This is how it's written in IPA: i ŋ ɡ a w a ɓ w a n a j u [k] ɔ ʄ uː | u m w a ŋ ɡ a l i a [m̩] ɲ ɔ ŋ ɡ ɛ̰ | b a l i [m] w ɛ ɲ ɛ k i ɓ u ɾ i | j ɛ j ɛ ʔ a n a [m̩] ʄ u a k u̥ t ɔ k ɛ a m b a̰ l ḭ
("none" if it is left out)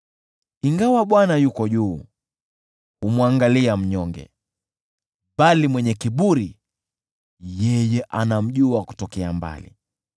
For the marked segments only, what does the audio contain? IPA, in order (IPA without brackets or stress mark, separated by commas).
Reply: k, m̩, m, m̩